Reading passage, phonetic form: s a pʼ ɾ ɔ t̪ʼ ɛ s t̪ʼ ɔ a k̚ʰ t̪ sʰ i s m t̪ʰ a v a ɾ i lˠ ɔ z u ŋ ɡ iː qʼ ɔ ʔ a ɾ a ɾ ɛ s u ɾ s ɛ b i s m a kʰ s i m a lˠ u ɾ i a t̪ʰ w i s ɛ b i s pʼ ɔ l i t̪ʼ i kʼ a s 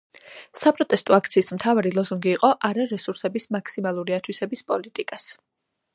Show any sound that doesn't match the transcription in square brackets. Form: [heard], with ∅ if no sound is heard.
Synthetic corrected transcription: s a pʼ ɾ ɔ t̪ʼ ɛ s t̪ʼ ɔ a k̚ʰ t̪ sʰ [iː] s m t̪ʰ a v a ɾ i lˠ ɔ z u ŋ ɡ iː qʼ ɔ ʔ a ɾ a ɾ ɛ s u ɾ s ɛ b i s m a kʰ s i m a lˠ u ɾ i a t̪ʰ w i s ɛ b i s pʼ ɔ l i t̪ʼ i kʼ a s